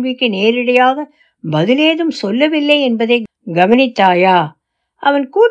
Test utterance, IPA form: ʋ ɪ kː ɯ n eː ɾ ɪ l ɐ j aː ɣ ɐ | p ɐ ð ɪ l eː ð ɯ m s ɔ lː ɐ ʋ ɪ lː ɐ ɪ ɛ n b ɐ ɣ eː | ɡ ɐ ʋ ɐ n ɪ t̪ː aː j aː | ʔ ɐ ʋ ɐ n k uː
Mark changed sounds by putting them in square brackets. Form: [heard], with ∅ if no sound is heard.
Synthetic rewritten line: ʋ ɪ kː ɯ n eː ɾ ɪ [ɽ] ɐ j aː ɣ ɐ | [b] ɐ ð ɪ l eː ð ɯ m s ɔ lː ɐ ʋ ɪ lː ɐ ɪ ɛ n b ɐ [ð] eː | ɡ ɐ ʋ ɐ n ɪ t̪ː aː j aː | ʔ ɐ ʋ ɐ n k uː